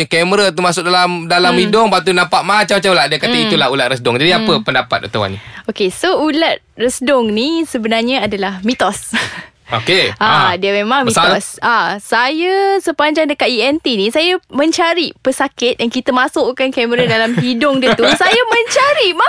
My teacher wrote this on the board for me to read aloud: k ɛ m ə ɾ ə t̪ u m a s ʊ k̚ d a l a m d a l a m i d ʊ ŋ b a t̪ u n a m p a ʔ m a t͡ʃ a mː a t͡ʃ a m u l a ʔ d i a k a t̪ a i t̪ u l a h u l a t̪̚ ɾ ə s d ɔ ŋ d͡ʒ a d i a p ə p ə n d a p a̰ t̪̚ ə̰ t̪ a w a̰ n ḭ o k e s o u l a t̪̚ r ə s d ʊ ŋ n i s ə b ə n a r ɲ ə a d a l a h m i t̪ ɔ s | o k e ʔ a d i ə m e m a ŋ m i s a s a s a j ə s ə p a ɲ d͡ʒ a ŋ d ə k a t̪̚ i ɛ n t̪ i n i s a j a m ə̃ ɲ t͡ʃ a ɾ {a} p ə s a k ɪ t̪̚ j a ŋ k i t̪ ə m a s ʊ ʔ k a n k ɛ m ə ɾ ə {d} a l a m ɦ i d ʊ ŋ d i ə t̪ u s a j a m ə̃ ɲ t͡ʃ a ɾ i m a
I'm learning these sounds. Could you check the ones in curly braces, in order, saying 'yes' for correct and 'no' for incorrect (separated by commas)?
no, yes